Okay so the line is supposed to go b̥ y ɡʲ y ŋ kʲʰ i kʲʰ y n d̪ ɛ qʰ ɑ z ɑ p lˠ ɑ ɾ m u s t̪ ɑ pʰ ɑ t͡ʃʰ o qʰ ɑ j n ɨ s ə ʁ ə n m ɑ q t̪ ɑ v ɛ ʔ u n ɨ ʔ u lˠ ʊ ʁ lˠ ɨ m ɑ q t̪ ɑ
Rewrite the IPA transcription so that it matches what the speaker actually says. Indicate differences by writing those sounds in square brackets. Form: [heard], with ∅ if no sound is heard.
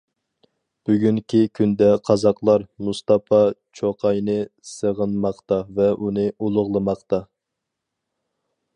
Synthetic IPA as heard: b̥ y ɡʲ y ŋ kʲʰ i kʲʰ y n d̪ ɛ qʰ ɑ z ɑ [q] lˠ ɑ ɾ m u s t̪ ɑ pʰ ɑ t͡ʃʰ o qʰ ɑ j n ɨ s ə ʁ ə n m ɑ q t̪ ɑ v ɛ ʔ u n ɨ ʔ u lˠ ʊ ʁ lˠ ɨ m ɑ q t̪ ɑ